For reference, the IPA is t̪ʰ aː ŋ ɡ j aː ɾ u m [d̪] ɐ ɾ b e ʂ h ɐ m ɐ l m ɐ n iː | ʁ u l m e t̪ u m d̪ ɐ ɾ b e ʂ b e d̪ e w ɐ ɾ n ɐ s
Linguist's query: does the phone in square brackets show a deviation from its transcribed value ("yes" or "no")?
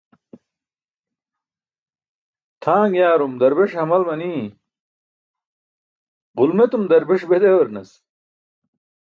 no